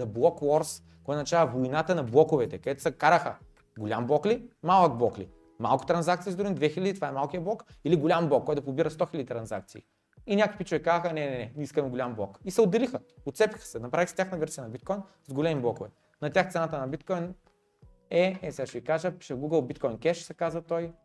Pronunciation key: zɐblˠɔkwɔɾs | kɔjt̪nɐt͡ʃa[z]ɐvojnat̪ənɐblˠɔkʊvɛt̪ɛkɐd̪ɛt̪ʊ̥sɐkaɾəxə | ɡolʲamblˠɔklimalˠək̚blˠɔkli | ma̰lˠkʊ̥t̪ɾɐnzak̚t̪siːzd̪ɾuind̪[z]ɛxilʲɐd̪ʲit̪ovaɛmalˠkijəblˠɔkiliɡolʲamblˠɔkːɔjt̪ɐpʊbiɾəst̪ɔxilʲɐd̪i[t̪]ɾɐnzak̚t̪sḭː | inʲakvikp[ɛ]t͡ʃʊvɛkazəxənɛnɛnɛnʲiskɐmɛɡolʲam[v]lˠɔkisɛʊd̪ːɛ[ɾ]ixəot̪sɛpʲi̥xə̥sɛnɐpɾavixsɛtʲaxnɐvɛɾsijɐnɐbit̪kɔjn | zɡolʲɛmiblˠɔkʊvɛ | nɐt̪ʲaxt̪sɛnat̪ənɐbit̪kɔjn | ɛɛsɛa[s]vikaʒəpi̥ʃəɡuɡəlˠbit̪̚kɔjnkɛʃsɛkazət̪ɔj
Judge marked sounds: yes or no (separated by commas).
no, no, yes, no, no, no, no